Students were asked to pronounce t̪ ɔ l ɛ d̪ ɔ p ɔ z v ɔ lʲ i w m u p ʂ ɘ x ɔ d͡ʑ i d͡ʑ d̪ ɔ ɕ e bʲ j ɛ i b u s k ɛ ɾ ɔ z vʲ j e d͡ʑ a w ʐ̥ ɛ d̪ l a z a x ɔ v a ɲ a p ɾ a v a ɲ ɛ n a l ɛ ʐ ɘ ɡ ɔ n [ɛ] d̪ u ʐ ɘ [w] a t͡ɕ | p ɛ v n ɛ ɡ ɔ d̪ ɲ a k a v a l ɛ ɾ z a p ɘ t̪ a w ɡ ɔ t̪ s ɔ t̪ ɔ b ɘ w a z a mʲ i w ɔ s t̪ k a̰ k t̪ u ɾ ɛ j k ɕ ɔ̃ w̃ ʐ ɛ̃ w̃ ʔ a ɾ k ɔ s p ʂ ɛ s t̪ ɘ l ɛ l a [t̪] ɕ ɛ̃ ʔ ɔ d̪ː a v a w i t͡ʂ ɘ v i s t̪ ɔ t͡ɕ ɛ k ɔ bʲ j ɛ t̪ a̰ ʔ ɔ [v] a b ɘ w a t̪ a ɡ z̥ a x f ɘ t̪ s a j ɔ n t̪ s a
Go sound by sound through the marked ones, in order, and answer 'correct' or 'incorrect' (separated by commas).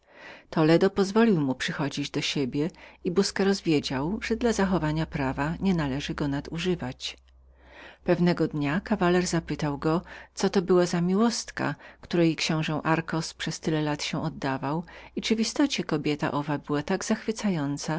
incorrect, incorrect, correct, correct